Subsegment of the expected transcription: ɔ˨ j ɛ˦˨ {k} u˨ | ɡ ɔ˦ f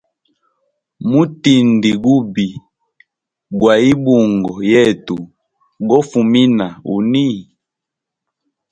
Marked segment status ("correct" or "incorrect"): incorrect